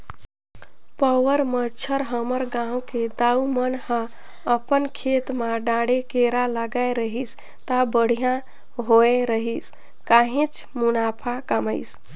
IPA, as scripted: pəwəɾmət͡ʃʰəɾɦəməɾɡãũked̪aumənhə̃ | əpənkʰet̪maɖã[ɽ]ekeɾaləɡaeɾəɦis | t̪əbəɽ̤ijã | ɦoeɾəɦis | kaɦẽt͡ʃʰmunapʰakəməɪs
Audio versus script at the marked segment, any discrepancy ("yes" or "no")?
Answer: no